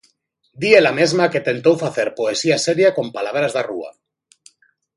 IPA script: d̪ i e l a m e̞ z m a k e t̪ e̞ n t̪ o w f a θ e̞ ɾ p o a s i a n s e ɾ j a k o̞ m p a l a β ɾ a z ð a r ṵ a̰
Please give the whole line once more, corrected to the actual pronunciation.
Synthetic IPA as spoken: d̪ i e l a m e̞ z m a k e t̪ e̞ n t̪ o w f a θ e̞ ɾ p o e s i a s e ɾ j a k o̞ m p a l a β ɾ a z ð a r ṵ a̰